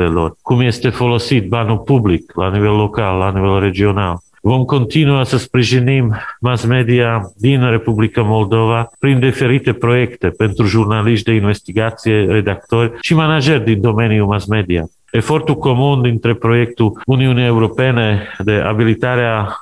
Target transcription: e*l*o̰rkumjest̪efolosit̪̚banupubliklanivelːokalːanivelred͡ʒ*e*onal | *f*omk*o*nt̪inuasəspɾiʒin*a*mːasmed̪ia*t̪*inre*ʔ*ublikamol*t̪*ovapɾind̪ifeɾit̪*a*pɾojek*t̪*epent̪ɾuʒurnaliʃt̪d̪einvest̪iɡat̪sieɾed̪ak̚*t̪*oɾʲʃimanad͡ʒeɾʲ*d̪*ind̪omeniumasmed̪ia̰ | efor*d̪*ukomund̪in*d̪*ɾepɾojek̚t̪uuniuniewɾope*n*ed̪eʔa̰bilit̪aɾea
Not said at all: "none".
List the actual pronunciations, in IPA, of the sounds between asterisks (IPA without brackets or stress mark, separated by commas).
l, i, v, o, i, d̪, p, d̪, e, t̪, t̪, d̪, t̪, t̪, n